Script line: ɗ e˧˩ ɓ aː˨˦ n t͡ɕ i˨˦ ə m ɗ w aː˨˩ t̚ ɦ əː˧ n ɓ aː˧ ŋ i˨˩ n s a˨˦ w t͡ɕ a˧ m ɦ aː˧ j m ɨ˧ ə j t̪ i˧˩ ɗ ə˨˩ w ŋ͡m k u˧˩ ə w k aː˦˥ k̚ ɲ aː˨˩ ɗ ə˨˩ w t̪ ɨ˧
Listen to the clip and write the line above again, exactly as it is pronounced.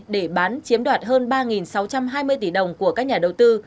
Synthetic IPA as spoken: ɗ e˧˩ ɓ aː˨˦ n t͡ɕ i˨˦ ə m ɗ w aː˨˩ t̚ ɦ əː˧ n ɓ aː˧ ŋ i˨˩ n s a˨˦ w t͡ɕ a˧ m ɦ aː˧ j m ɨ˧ ə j t̪ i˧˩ ɗ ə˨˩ w ŋ͡m k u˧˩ ə k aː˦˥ k̚ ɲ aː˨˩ ɗ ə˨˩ w t̪ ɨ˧